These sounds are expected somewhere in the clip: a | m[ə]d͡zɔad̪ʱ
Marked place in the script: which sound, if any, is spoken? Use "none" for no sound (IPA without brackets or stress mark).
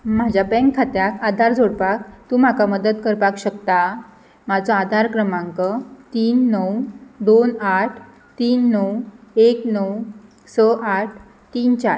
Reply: a